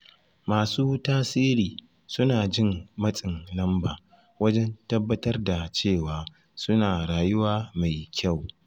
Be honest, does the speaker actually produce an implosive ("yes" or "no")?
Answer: no